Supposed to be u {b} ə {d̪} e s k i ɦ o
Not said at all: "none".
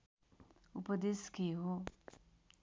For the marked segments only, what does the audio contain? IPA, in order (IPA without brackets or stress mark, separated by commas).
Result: p, d̪